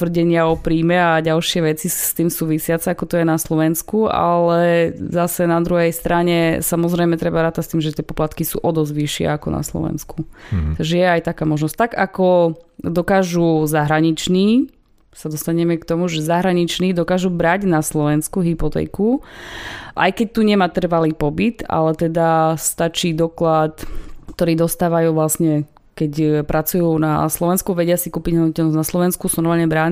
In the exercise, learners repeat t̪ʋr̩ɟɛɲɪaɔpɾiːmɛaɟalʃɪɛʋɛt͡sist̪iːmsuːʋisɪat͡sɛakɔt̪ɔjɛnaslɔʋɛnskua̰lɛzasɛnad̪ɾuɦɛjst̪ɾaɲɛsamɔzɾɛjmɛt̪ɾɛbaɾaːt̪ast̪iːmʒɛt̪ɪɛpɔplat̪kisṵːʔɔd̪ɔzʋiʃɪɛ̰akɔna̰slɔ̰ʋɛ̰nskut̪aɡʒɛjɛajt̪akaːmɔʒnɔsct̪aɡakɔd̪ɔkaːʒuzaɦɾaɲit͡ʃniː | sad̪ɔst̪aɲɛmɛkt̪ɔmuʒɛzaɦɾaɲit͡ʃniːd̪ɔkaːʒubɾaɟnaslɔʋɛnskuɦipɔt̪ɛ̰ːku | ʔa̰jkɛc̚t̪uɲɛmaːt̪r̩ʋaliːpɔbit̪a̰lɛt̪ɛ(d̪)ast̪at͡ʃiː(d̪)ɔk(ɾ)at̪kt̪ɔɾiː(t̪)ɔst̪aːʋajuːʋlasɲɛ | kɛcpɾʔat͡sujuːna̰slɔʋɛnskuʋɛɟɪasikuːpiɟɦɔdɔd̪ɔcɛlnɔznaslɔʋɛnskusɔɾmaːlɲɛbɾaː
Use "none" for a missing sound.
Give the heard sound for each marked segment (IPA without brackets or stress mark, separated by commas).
d̪, d̪, l, d̪